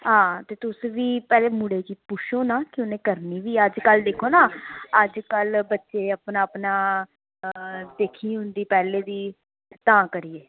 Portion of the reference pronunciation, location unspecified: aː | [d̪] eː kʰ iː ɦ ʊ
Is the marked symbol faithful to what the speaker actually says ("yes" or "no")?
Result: yes